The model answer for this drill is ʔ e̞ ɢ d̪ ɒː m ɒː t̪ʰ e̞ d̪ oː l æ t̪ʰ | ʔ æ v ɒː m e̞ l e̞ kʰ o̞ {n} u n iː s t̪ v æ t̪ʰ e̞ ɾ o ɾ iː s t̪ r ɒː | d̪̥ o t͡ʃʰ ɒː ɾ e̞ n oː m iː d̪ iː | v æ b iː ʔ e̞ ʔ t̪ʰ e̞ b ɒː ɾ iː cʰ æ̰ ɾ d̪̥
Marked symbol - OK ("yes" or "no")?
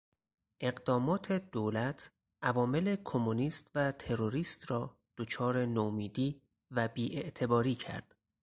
no